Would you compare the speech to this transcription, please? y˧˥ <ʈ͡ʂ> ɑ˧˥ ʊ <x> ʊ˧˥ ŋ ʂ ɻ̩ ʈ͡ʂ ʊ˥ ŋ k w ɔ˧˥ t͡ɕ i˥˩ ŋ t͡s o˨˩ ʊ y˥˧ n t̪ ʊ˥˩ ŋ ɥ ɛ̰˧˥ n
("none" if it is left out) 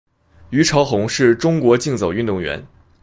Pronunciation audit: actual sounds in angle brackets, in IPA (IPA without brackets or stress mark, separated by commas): ʈ͡ʂʰ, x